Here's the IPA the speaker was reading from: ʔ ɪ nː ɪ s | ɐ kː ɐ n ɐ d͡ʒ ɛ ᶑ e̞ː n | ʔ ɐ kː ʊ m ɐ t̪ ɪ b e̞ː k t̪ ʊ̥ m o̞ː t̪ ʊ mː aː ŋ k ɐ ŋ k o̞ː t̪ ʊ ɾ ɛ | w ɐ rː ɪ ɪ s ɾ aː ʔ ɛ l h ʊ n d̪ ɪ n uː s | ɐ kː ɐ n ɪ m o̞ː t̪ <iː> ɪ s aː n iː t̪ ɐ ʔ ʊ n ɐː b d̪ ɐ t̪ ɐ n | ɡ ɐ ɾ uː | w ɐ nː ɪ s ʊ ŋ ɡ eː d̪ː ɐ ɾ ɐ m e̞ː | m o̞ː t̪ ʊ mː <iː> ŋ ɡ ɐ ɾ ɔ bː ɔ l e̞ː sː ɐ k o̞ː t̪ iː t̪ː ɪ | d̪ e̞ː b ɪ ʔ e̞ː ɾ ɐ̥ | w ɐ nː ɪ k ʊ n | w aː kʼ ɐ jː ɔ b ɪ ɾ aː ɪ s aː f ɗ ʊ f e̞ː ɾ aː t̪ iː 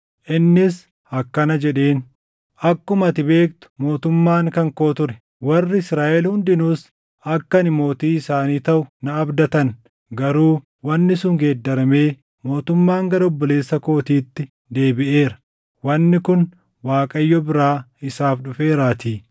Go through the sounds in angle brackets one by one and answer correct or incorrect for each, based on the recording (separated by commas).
correct, incorrect